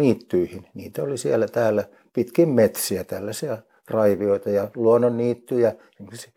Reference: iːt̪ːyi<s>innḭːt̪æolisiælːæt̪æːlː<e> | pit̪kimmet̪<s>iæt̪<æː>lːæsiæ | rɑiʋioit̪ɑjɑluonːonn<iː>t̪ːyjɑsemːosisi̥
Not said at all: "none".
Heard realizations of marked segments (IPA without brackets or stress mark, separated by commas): h, æ, s, æ, iː